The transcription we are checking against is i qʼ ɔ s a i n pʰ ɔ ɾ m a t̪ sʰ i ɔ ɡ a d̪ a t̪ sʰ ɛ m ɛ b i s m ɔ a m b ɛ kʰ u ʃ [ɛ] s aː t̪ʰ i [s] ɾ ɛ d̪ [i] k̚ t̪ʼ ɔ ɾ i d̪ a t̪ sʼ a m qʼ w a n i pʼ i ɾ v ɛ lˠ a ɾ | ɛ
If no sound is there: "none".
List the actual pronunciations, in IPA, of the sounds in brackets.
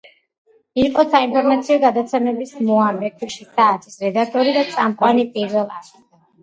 i, s, a

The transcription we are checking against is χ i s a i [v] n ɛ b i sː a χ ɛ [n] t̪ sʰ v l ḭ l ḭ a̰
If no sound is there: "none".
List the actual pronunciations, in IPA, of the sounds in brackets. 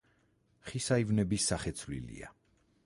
v, none

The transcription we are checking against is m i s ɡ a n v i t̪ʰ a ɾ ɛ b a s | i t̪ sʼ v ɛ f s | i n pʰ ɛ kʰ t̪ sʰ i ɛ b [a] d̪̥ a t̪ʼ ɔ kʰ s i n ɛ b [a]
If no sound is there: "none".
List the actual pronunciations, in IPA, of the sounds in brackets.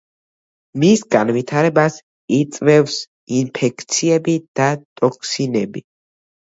i, i

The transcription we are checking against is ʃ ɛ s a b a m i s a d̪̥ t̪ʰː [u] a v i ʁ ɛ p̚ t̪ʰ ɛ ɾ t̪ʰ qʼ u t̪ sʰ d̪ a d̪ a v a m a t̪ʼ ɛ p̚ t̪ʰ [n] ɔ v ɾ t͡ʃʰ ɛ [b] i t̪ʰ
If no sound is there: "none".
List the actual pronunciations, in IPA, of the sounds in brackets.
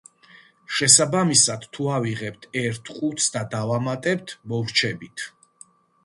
u, m, b

